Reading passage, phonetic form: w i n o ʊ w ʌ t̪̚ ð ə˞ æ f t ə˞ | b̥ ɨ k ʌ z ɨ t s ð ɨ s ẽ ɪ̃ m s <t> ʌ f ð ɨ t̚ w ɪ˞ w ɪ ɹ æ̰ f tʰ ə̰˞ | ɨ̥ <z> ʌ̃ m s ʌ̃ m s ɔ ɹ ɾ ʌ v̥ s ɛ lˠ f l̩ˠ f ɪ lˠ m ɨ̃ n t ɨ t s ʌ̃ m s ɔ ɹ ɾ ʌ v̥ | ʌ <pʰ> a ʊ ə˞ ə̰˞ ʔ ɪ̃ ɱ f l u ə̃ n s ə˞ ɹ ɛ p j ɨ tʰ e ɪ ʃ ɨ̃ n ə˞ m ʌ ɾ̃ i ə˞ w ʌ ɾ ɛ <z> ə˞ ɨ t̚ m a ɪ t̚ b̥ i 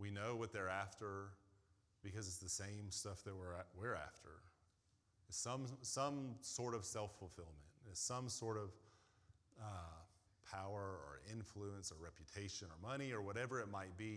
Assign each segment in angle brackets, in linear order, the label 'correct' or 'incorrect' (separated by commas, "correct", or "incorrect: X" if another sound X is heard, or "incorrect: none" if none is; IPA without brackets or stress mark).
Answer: correct, incorrect: s, correct, incorrect: v